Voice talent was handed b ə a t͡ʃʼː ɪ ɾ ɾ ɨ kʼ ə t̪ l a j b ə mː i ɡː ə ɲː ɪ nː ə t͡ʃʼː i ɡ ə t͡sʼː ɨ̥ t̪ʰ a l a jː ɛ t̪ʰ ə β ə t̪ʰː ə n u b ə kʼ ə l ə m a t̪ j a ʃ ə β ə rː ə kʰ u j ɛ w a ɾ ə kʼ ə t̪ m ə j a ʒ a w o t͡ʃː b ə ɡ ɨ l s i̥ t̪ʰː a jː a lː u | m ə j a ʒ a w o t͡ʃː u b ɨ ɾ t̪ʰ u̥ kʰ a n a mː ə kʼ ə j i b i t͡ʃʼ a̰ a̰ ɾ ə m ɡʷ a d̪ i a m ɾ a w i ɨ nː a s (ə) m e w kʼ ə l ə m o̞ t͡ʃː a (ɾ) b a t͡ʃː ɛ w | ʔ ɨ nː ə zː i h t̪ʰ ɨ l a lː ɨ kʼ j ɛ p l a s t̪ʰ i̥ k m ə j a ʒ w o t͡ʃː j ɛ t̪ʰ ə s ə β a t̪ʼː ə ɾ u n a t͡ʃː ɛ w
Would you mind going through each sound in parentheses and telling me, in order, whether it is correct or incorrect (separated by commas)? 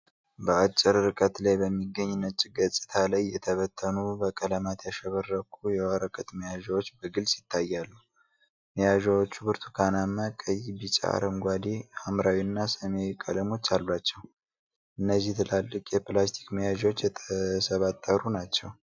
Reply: correct, incorrect